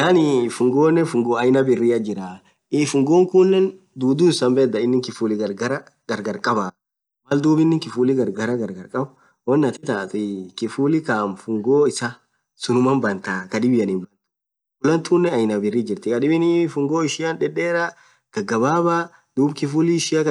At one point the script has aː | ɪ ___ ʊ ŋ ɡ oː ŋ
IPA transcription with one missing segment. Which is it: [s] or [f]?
f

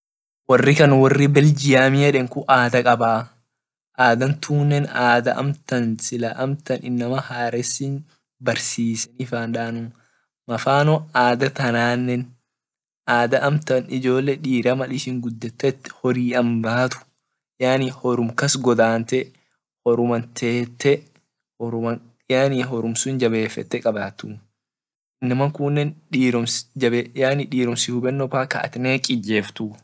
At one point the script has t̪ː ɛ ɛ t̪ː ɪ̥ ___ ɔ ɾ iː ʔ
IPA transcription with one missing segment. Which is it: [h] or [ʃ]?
h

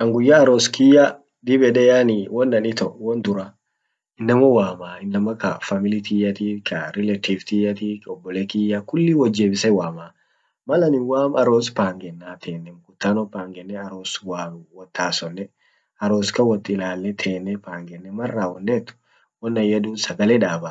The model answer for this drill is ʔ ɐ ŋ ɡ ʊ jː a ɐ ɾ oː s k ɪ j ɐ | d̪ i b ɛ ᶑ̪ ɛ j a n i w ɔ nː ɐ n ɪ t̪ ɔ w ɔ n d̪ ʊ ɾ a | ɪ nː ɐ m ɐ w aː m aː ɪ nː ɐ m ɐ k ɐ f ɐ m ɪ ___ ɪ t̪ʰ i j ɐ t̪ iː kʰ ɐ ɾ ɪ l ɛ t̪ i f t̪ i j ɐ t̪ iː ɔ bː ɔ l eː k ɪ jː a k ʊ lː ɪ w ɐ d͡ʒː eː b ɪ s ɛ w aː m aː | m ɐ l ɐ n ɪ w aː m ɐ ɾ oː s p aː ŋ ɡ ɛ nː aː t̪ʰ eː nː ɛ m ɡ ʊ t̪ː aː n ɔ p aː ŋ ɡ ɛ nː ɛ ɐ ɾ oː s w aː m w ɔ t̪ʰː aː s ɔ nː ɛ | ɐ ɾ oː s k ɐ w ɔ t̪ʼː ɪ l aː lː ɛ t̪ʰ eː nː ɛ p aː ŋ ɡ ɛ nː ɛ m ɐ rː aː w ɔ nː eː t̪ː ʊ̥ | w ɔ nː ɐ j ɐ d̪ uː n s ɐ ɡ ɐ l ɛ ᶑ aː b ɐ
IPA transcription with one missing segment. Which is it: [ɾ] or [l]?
l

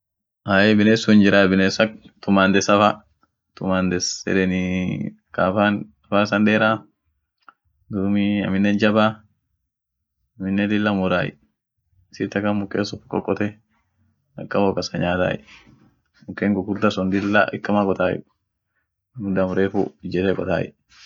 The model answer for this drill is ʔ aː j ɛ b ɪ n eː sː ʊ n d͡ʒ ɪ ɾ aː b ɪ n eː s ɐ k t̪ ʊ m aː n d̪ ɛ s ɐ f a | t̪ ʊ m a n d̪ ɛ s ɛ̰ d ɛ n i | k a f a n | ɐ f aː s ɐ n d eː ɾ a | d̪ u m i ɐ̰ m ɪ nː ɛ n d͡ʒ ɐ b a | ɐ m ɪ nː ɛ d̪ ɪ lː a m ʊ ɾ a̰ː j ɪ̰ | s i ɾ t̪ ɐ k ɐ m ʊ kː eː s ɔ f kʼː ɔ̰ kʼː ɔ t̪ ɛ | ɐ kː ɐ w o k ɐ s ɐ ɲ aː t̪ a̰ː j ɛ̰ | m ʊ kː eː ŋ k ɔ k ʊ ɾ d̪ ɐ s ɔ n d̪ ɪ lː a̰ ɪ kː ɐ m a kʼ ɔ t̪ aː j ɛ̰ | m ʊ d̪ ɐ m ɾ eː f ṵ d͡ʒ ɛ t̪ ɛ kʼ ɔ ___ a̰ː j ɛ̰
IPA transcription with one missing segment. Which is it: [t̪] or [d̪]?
t̪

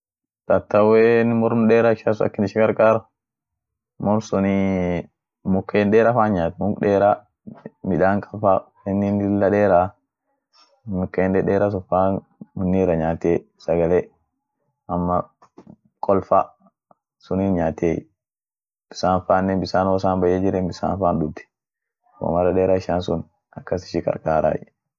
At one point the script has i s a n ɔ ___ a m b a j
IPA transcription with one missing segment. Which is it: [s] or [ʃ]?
s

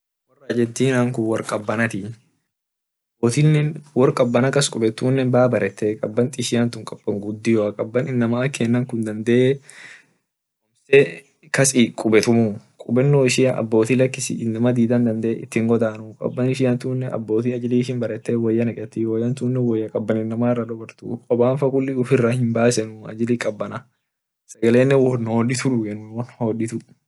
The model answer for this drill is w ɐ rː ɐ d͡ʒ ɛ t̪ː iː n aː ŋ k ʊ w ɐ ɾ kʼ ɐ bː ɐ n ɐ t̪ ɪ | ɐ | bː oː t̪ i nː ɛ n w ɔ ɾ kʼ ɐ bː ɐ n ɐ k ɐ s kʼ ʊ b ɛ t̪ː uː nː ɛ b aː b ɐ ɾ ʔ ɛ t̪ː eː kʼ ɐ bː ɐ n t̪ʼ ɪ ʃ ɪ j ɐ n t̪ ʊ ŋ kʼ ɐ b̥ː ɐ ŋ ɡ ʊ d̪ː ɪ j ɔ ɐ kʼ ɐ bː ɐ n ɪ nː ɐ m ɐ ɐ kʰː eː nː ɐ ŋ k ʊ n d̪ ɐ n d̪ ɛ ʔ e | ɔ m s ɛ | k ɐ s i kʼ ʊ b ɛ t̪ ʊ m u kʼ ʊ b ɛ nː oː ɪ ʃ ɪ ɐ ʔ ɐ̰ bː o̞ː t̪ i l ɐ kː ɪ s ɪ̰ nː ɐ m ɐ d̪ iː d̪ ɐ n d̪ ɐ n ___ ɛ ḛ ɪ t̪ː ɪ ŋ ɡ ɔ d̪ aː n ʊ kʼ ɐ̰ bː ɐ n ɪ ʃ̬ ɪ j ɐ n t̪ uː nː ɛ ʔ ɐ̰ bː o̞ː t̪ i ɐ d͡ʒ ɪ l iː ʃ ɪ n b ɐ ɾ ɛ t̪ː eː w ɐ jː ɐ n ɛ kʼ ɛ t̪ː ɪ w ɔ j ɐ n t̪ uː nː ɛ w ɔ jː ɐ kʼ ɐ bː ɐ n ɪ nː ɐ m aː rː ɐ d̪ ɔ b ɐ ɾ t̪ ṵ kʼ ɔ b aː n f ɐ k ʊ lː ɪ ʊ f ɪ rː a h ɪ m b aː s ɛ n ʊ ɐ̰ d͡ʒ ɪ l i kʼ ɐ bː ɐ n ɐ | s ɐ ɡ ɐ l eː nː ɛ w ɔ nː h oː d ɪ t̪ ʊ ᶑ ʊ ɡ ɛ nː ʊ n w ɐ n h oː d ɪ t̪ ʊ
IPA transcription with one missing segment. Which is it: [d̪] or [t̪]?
d̪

